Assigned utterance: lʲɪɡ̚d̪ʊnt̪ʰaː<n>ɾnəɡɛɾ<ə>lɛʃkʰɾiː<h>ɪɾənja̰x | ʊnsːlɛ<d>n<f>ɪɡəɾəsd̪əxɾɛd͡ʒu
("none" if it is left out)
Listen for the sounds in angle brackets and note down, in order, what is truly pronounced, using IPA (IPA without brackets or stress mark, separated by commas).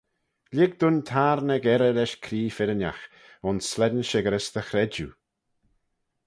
none, ə, f, d, ʃ